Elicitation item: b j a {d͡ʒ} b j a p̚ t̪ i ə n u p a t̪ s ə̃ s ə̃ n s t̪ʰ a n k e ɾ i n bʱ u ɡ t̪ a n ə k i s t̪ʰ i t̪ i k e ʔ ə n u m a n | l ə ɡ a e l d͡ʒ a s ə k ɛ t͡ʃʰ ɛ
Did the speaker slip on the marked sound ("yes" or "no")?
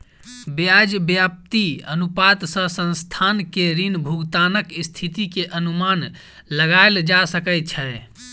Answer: no